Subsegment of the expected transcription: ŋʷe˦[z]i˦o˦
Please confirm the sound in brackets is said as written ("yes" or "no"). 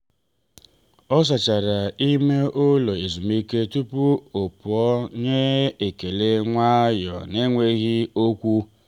no